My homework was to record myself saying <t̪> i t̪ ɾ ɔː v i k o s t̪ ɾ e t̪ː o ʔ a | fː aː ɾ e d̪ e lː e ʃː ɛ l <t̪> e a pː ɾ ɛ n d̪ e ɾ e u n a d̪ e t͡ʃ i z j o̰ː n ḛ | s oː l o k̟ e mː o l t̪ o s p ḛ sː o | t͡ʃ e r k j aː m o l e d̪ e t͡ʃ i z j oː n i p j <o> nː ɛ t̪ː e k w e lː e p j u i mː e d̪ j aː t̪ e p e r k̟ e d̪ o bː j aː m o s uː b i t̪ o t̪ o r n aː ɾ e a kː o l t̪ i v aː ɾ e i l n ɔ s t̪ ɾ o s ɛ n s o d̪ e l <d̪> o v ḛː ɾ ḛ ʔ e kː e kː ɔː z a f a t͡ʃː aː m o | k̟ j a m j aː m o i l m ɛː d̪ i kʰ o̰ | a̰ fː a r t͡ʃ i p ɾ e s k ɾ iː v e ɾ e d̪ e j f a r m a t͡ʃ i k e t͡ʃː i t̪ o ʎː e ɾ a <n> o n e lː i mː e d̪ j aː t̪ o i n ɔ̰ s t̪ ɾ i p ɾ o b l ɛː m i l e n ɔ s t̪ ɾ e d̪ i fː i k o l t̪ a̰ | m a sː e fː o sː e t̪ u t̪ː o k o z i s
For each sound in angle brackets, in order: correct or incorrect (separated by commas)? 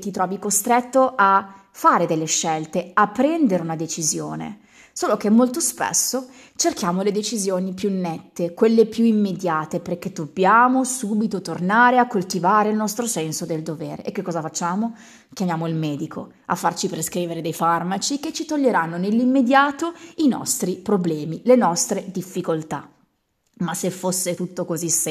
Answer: correct, correct, incorrect, correct, incorrect